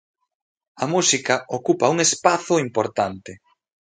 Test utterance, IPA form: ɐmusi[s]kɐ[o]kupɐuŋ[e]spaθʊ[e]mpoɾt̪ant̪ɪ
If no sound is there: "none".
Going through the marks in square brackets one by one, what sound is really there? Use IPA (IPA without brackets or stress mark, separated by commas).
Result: none, o, e, i